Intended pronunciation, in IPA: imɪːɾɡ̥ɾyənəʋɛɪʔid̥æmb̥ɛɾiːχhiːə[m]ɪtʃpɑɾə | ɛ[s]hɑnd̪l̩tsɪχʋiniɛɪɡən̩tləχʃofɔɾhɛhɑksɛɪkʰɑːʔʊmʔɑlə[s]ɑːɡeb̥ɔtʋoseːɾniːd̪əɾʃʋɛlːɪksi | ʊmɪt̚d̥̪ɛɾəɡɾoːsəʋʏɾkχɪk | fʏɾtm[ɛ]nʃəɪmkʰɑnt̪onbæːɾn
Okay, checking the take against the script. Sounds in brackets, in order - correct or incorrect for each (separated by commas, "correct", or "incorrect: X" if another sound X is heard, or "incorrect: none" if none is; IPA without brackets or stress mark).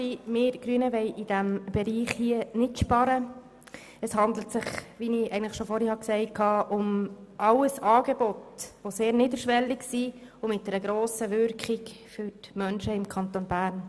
incorrect: n, correct, correct, incorrect: œ